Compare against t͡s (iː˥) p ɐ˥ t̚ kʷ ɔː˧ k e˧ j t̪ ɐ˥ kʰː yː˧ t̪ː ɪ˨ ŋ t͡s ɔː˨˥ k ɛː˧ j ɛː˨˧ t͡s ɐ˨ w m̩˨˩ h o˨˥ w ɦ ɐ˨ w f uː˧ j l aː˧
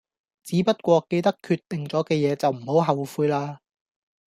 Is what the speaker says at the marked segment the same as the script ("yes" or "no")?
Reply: no